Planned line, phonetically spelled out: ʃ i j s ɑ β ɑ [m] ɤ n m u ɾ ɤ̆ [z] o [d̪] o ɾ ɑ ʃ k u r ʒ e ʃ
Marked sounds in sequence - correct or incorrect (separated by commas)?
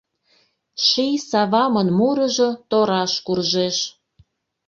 correct, incorrect, incorrect